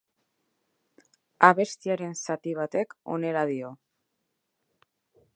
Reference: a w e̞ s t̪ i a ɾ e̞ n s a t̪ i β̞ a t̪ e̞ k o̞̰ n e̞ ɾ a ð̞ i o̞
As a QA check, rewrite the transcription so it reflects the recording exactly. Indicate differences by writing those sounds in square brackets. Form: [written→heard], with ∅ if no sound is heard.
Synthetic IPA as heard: a [w→β] e̞ s t̪ i a ɾ e̞ n s a t̪ i β̞ a t̪ e̞ k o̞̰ n e̞ ɾ a ð̞ i o̞